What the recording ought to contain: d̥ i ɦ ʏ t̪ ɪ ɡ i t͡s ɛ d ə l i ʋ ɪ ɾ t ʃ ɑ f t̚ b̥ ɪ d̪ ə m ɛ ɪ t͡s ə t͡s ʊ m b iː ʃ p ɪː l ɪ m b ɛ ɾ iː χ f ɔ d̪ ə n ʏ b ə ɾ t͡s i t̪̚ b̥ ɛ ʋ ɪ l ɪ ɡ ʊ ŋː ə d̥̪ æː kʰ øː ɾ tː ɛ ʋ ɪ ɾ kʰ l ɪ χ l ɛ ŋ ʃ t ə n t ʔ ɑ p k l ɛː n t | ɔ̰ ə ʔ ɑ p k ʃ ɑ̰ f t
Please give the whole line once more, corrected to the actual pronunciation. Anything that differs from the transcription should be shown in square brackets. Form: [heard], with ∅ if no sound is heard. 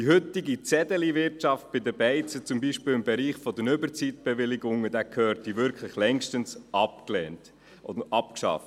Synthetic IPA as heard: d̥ i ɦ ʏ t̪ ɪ ɡ i t͡s ɛ d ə l i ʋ ɪ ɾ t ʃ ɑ f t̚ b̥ ɪ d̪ ə [b] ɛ ɪ t͡s ə t͡s ʊ m b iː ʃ p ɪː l ɪ m b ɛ ɾ iː χ f ɔ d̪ ə n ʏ b ə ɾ t͡s i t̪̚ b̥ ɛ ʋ ɪ l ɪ ɡ ʊ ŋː ə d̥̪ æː kʰ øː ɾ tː [i] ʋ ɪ ɾ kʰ l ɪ χ l ɛ ŋ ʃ t ə n [s] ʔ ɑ p k l ɛː n t | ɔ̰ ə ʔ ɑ p k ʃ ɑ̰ f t